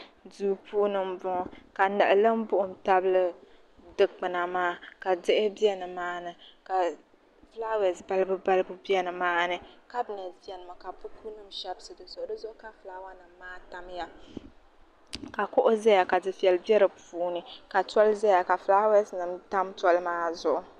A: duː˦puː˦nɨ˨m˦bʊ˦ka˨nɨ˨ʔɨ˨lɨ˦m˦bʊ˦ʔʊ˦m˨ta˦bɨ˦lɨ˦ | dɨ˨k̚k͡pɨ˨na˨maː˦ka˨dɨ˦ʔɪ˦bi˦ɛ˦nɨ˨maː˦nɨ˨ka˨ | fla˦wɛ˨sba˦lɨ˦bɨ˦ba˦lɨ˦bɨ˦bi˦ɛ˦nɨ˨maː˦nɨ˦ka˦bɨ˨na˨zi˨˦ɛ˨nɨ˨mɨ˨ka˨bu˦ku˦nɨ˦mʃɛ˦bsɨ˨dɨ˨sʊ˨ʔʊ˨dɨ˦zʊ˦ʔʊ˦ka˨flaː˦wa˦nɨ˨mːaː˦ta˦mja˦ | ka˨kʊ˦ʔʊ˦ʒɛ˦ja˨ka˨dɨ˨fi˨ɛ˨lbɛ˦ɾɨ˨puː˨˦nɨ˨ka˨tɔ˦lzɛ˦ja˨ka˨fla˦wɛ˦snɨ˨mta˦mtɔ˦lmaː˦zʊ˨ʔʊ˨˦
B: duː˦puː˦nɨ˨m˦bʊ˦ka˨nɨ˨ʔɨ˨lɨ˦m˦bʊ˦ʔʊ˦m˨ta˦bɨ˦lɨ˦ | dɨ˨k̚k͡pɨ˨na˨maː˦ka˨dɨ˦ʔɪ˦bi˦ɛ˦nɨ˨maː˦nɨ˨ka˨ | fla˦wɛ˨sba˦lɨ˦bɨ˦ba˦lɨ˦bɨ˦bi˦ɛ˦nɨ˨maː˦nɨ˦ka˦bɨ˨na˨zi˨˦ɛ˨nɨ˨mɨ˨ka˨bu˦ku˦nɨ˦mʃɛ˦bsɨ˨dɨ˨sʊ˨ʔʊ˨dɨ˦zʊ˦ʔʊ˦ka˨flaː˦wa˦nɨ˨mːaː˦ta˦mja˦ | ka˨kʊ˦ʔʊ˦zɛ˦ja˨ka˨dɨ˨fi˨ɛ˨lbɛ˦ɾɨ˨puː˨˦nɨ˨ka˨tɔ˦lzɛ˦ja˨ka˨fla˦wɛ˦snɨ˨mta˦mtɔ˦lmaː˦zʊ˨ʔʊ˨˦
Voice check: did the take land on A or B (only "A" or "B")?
B